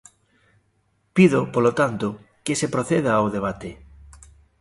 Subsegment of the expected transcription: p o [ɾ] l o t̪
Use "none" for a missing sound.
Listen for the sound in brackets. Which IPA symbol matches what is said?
none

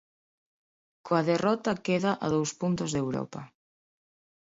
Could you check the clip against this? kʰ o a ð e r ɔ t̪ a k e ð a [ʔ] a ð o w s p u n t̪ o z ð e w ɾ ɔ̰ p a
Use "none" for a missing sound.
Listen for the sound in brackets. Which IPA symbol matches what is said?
ʔ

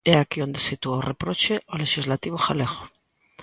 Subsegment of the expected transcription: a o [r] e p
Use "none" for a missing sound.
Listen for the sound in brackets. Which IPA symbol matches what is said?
r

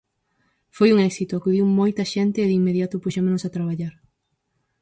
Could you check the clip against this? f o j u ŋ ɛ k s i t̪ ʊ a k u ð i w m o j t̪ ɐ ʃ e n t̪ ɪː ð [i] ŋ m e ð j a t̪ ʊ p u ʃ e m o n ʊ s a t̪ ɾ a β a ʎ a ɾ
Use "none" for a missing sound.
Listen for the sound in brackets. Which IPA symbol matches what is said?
i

